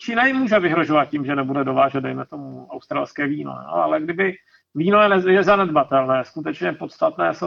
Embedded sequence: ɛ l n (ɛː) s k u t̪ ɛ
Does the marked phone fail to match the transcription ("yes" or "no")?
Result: no